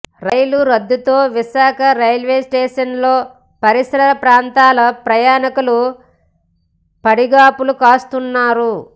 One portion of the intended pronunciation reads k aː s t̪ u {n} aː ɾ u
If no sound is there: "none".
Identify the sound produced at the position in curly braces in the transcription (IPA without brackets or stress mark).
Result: nː